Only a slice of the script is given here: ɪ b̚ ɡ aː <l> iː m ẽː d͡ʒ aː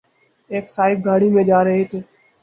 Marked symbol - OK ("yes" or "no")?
no